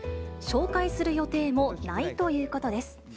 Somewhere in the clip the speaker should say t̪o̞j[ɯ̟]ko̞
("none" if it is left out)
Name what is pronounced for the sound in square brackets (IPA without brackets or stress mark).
ɯ̟ː